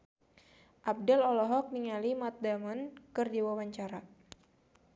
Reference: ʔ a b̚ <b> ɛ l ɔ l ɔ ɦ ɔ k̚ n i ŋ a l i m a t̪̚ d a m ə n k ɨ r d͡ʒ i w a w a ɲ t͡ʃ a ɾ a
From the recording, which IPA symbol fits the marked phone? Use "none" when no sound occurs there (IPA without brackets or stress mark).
d